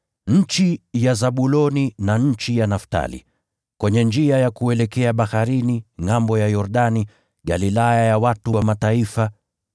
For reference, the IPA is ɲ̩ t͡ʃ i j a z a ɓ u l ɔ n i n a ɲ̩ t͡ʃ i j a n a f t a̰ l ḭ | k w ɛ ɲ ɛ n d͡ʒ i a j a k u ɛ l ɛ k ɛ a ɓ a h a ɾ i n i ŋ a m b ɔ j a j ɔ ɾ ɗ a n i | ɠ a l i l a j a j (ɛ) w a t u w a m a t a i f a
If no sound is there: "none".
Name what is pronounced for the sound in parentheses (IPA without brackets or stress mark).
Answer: a